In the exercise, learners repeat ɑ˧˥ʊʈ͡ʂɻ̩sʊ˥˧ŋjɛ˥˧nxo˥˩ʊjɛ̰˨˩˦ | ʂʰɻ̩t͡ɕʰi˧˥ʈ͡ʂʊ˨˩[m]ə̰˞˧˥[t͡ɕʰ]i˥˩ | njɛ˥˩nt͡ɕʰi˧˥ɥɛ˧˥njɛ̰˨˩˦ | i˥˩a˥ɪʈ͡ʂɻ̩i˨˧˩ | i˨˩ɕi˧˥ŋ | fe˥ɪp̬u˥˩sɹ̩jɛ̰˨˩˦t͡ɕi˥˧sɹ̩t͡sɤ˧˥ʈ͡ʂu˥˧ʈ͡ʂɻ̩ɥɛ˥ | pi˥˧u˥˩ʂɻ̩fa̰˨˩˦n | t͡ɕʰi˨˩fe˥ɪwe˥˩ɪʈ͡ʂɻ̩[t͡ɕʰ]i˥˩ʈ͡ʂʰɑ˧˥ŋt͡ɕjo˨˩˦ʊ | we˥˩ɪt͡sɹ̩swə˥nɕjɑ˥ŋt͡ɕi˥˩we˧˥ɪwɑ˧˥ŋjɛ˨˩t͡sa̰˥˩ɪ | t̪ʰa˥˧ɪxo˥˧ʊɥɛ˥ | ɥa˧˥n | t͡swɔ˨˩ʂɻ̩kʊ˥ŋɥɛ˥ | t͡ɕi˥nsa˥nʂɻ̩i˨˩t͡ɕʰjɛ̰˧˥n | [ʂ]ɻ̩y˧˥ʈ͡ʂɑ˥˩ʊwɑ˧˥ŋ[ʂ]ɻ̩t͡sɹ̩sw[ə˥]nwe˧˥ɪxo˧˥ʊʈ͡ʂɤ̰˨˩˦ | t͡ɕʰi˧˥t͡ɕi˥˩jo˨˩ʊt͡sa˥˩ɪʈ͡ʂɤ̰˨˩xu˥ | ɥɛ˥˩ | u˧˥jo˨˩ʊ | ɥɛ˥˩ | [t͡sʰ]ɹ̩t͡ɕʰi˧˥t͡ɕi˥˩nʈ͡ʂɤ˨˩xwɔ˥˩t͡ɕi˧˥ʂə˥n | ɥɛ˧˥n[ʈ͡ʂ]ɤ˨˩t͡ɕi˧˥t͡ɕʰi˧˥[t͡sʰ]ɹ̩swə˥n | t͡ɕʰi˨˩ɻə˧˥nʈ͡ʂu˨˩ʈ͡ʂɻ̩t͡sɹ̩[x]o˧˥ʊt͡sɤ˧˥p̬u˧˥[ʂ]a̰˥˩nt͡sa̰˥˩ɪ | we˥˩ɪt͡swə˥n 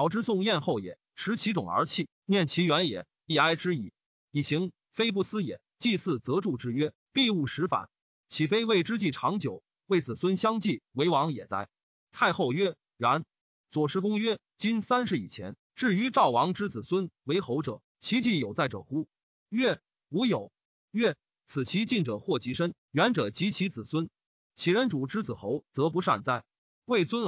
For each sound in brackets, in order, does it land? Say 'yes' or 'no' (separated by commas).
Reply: no, yes, no, no, no, yes, yes, yes, no, yes, yes